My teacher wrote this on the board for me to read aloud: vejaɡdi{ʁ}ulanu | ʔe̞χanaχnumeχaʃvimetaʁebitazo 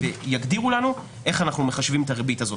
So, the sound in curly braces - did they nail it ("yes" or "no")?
yes